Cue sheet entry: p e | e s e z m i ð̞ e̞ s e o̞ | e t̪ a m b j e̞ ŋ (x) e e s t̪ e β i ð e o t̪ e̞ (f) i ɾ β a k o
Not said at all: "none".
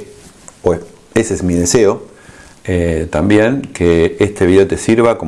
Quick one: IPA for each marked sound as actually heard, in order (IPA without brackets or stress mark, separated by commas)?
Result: k, s